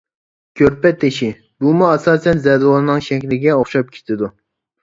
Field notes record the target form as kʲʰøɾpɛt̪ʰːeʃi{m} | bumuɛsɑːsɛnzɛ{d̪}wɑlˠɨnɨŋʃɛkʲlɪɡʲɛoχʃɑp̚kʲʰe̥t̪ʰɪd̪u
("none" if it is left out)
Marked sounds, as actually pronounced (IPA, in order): none, d̪

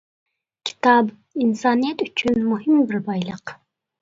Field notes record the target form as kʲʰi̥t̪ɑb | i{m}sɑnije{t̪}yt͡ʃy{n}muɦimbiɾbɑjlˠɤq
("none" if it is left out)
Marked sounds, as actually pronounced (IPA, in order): n, t̪, n

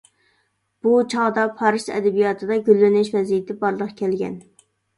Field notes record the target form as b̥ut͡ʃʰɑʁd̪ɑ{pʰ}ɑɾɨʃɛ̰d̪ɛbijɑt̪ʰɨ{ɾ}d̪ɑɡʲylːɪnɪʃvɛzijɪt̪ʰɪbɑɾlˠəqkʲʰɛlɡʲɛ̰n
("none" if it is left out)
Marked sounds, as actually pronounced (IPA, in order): pʰ, none

